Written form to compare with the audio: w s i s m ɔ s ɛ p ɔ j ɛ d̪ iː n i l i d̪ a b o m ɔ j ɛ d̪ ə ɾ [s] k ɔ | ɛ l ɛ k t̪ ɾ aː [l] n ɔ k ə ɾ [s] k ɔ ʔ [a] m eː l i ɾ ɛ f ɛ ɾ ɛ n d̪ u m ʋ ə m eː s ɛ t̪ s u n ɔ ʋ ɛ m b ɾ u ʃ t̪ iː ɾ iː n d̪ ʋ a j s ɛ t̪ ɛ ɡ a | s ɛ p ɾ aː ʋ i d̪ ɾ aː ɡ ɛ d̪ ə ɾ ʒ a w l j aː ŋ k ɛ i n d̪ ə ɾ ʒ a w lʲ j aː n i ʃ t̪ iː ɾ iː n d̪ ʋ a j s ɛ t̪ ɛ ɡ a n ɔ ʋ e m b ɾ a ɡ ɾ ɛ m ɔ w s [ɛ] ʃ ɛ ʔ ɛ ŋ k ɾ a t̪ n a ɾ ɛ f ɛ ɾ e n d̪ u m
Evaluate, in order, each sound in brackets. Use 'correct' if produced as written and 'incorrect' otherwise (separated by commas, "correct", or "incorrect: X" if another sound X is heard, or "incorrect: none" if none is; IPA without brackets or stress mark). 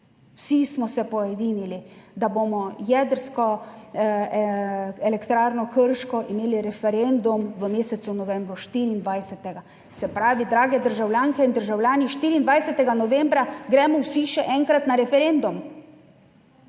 correct, incorrect: ɾ, incorrect: ʃ, incorrect: i, incorrect: i